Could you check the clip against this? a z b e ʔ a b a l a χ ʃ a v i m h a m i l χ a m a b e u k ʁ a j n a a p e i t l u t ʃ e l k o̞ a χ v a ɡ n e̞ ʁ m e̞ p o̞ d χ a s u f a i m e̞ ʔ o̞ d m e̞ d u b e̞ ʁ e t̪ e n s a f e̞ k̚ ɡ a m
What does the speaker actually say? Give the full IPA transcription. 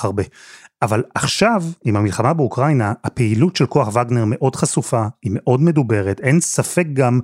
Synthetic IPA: a ʁ b e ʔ a v a l a χ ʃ a v i m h a m i l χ a m a b e u k ʁ a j n a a p e i l u t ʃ e l k o̞ a χ v a ɡ n e̞ ʁ m e̞ ʔ o̞ d χ a s u f a i m e̞ ʔ o̞ d m e̞ d u b e̞ ʁ e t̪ e n s a f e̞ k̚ ɡ a m